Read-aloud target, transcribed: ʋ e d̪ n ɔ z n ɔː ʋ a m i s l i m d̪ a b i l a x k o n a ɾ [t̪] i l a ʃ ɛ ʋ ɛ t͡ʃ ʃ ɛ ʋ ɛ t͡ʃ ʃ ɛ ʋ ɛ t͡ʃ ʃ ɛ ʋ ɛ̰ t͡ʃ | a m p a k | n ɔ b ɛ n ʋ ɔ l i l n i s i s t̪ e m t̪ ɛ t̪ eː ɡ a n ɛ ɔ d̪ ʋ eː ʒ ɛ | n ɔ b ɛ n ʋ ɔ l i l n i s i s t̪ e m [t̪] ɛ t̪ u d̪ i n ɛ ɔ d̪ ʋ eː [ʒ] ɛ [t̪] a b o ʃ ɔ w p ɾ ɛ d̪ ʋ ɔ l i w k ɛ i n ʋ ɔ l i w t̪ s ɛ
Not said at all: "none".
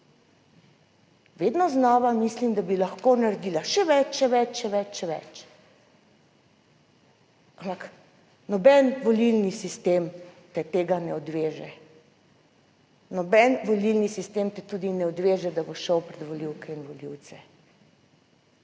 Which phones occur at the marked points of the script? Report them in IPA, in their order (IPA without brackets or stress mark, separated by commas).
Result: d̪, t̪, ʒ, d̪